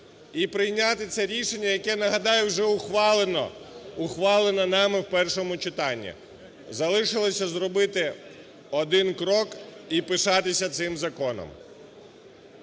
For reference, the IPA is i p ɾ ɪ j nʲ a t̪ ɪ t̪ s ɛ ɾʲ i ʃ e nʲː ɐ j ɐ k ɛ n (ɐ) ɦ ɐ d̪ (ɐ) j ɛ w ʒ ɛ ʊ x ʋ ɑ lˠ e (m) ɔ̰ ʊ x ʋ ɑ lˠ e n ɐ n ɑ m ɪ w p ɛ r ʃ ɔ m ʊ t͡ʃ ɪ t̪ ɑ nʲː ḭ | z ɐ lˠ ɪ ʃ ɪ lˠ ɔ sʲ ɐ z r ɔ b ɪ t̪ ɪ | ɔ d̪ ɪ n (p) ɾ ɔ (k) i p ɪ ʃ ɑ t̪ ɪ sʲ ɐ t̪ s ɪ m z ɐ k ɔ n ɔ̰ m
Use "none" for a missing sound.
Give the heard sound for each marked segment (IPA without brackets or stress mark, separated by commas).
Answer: ɐ, ɑ, n, k, k